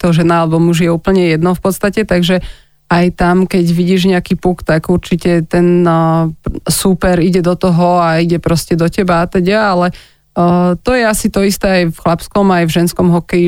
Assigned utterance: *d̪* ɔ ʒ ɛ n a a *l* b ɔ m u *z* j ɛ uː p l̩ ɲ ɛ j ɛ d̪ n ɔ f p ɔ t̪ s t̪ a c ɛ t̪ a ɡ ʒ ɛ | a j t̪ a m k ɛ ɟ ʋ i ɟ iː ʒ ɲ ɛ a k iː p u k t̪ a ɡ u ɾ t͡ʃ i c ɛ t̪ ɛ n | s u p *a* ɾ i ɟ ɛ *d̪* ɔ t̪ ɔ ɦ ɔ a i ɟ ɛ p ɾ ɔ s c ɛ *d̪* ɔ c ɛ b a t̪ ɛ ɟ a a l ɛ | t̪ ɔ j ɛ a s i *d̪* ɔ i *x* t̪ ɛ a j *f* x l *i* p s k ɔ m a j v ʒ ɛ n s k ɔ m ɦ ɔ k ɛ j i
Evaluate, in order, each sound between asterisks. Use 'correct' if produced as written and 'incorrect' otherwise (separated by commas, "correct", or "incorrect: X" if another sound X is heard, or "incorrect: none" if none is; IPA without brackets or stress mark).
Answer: incorrect: t̪, correct, incorrect: ʒ, incorrect: ɛ, correct, correct, incorrect: t̪, incorrect: s, correct, incorrect: a